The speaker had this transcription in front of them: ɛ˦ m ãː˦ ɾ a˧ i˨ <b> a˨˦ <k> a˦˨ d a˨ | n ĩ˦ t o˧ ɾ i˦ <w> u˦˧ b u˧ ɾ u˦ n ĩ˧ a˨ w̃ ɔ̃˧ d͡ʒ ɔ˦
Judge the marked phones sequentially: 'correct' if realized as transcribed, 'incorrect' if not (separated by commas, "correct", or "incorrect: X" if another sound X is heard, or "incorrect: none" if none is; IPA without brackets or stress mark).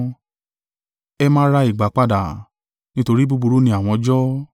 incorrect: ɡ͡b, incorrect: k͡p, incorrect: b